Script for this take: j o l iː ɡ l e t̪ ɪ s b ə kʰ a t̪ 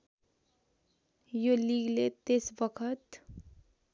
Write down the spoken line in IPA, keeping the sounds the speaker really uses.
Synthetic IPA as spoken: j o l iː ɡ l e t̪ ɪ s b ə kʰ ə t̪